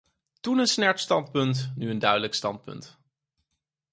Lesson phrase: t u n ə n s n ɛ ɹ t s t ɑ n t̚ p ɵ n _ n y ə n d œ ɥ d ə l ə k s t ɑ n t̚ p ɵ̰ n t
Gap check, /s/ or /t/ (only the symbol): t